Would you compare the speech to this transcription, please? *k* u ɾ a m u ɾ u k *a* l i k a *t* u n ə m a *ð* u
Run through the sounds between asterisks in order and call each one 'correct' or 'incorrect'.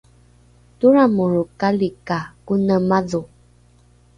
incorrect: t, correct, incorrect: k, correct

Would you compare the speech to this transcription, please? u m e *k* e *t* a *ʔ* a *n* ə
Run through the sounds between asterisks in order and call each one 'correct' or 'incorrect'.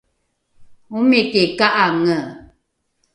correct, incorrect: k, correct, incorrect: ŋ

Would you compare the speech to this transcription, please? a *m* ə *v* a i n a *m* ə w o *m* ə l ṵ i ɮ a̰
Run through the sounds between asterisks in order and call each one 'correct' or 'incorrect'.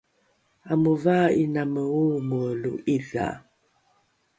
correct, correct, correct, correct

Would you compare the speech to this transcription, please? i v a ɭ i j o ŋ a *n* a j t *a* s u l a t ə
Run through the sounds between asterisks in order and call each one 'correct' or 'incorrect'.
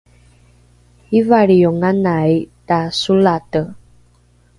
correct, correct

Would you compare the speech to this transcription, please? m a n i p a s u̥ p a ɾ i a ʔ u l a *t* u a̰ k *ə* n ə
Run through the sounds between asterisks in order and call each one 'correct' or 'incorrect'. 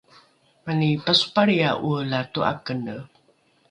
correct, correct

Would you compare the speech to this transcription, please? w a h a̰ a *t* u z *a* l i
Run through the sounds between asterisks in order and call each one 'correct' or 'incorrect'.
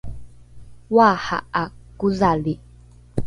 incorrect: k, correct

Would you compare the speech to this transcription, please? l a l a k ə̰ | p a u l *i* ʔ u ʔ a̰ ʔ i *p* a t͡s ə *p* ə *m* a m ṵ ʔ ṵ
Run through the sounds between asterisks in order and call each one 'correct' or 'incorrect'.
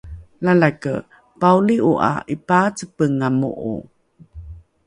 correct, correct, correct, incorrect: ŋ

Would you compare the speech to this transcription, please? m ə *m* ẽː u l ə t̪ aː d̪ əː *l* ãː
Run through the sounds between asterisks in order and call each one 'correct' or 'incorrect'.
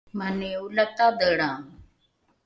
incorrect: n, incorrect: ɽ

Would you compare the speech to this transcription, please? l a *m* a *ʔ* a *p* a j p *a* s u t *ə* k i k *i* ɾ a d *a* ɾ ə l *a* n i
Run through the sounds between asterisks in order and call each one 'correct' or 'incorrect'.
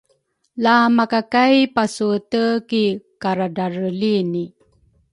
correct, incorrect: k, incorrect: k, correct, correct, incorrect: a, correct, incorrect: i

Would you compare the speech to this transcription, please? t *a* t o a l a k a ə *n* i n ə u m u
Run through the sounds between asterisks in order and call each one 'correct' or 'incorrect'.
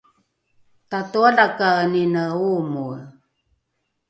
correct, correct

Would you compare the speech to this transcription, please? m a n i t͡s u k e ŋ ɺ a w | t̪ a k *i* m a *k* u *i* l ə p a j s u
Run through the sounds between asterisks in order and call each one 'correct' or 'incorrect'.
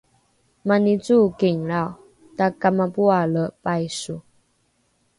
incorrect: a, incorrect: p, incorrect: a

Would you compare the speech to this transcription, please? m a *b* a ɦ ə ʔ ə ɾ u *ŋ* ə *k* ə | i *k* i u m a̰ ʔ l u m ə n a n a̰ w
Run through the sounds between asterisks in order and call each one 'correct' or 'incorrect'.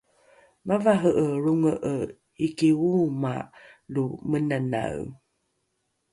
incorrect: v, correct, incorrect: ʔ, correct

